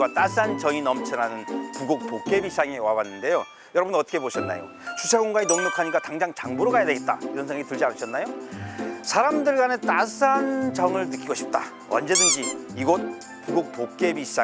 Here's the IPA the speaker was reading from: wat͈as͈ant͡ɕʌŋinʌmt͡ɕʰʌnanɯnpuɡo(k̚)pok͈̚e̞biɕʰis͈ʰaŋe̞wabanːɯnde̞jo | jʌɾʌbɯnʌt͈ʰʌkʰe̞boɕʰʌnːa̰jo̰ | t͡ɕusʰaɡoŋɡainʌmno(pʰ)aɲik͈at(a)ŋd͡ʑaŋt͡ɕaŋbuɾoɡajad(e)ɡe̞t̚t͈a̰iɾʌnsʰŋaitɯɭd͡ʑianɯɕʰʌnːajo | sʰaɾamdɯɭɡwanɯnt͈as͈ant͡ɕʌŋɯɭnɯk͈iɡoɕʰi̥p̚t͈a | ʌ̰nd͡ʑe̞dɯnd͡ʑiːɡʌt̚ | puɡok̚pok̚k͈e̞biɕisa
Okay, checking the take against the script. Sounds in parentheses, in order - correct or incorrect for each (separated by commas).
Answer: correct, incorrect, correct, correct